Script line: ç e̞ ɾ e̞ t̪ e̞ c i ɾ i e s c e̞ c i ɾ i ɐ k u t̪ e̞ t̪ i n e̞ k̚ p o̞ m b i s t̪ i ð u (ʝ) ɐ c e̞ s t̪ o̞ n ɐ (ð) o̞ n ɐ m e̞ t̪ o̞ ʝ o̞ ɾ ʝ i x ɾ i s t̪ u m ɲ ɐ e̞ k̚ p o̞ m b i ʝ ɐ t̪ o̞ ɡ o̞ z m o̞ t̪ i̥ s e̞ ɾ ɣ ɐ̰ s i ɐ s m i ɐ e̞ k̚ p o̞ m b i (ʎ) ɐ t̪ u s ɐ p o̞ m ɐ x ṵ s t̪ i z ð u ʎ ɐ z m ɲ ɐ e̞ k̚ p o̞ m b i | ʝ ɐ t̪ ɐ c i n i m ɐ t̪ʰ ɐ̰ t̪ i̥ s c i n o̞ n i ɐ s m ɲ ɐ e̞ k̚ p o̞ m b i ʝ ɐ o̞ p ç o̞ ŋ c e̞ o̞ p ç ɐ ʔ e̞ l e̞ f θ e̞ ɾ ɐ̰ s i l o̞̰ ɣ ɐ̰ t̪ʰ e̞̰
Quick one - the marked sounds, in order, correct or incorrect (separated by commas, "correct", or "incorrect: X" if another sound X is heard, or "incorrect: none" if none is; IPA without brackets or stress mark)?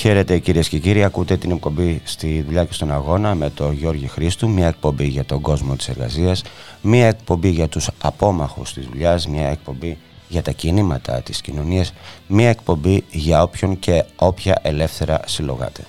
incorrect: ʎ, incorrect: ɣ, incorrect: ʝ